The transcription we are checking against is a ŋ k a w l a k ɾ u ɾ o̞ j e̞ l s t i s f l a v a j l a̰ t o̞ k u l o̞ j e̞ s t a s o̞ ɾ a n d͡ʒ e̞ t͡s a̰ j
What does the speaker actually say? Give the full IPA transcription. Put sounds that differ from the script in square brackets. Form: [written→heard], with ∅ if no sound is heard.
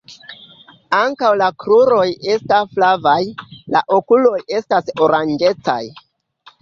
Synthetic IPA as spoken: a ŋ k a w l a k ɾ u ɾ o̞ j e̞ [l→∅] s t [i→a] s f l a v a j l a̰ [t→ʔ] o̞ k u l o̞ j e̞ s t a s o̞ ɾ a n d͡ʒ e̞ t͡s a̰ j